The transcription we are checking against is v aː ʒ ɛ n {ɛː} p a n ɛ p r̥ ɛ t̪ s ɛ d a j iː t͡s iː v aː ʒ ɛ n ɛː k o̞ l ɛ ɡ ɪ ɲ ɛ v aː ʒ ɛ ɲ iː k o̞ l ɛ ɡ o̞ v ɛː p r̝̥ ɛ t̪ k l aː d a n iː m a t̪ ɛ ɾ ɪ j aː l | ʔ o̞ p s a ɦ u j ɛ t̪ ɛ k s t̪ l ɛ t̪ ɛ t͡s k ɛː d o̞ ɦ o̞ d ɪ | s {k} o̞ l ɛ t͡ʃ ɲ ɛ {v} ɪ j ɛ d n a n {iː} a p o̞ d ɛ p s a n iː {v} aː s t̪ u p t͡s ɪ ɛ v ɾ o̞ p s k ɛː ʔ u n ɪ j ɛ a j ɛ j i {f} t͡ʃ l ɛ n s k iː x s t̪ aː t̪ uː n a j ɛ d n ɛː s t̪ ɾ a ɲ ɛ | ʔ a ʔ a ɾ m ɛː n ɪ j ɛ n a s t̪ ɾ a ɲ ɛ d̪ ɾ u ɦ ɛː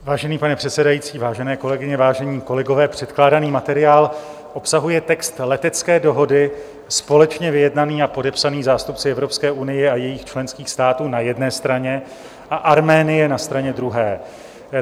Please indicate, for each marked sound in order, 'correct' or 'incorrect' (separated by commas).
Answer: incorrect, incorrect, correct, correct, incorrect, incorrect